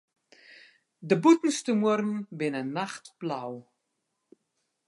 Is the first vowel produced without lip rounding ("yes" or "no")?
yes